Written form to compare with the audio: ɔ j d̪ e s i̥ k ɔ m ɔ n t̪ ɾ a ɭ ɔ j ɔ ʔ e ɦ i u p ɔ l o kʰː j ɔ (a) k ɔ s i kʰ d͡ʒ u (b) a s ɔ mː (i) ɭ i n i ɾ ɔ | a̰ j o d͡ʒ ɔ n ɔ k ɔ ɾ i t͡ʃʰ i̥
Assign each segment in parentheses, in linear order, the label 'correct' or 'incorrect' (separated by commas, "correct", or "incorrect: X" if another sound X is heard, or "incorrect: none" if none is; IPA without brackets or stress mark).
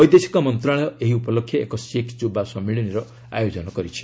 incorrect: e, correct, correct